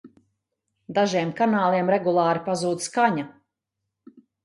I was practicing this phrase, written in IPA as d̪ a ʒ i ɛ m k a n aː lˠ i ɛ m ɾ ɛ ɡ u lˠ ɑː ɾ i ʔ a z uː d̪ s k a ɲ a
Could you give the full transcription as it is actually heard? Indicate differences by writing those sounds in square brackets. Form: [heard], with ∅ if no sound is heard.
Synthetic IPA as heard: d̪ a ʒ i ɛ m k a n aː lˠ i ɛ m ɾ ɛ ɡ u lˠ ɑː ɾ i [p] a z uː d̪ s k a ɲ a